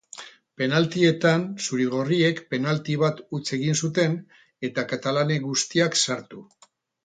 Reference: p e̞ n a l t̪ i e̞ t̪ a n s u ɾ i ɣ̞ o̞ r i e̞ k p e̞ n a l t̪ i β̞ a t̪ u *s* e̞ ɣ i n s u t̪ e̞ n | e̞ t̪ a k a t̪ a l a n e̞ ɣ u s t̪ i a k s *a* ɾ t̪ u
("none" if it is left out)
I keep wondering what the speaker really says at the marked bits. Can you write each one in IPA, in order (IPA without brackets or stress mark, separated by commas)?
t͡s, a